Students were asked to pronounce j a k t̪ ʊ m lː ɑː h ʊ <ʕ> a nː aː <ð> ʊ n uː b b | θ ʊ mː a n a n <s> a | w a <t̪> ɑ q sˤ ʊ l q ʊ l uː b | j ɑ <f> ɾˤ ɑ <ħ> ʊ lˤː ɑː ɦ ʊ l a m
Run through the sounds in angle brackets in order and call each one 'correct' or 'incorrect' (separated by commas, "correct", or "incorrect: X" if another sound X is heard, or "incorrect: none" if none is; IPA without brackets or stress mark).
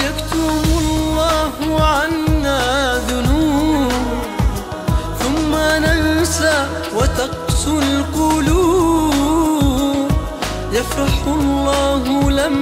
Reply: correct, correct, correct, correct, correct, correct